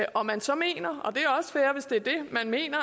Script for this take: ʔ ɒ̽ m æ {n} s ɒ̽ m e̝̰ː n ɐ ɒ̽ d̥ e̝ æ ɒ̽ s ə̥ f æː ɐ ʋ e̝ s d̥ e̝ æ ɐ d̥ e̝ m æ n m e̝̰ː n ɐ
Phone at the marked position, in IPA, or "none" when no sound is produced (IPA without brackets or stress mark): n